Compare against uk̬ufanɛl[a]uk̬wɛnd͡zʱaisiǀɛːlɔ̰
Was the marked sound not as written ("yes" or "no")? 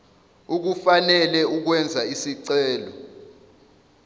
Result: yes